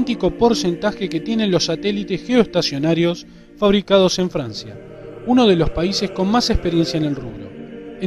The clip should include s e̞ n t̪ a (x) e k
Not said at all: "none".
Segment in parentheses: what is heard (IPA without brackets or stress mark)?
x